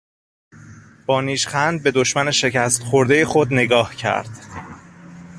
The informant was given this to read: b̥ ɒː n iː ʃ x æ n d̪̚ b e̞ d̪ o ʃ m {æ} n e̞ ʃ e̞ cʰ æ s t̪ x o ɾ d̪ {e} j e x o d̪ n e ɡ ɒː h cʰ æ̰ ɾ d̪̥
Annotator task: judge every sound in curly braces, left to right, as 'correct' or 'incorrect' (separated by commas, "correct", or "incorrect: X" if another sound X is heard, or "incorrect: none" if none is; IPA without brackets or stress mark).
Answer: correct, correct